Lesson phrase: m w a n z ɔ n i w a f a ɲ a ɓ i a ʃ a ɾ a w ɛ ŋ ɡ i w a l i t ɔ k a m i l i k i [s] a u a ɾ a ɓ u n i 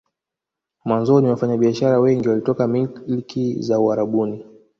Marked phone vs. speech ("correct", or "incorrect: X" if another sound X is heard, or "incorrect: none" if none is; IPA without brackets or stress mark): incorrect: z